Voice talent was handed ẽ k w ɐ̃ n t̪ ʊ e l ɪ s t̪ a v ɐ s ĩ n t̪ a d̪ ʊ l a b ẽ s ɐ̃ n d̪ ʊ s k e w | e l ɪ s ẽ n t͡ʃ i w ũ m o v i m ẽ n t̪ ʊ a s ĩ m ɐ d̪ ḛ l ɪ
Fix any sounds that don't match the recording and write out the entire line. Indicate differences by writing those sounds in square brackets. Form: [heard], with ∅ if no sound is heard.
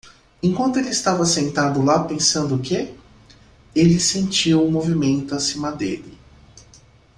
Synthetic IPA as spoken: ẽ k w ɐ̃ n t̪ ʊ e l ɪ s t̪ a v ɐ s [ẽ] n t̪ a d̪ ʊ l a [p] ẽ s ɐ̃ n d̪ ʊ [∅] k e [∅] | e l ɪ s ẽ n t͡ʃ i w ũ m o v i m ẽ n t̪ ʊ a s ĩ m ɐ d̪ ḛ l ɪ